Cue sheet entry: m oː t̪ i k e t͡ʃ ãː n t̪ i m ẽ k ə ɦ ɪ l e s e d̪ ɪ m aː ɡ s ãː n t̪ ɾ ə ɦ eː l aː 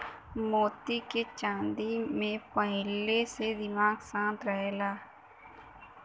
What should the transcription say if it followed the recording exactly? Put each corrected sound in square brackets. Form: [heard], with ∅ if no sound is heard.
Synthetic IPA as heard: m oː t̪ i k e t͡ʃ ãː n [d̪] i m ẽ [p] ə ɦ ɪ l e s e d̪ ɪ m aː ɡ s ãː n t̪ ɾ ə ɦ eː l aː

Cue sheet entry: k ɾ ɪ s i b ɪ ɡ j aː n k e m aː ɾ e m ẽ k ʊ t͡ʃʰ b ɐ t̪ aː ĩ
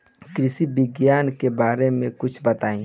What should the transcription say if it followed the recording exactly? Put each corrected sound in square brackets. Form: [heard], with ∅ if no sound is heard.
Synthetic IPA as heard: k ɾ ɪ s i b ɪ ɡ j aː n k e [b] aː ɾ e m ẽ k ʊ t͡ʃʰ b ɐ t̪ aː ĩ

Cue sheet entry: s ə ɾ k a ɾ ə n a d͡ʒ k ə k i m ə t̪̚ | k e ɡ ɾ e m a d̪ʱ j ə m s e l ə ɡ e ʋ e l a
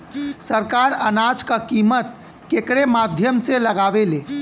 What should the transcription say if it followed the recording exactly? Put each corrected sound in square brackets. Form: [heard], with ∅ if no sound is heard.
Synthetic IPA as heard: s ə ɾ k a ɾ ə n a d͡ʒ k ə k i m ə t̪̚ | k e [k] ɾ e m a d̪ʱ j ə m s e l ə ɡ [a] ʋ e l [e]

